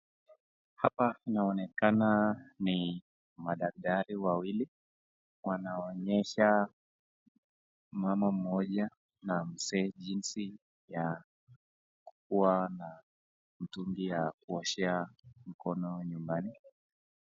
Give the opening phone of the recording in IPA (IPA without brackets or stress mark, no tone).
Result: h